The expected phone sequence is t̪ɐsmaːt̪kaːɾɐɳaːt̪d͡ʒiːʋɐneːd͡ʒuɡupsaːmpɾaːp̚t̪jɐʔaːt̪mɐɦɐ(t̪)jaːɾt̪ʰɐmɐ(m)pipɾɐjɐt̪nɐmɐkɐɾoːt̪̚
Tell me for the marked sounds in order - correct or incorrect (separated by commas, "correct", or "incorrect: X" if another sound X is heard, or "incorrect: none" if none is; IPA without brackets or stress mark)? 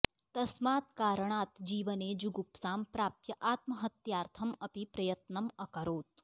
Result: correct, incorrect: none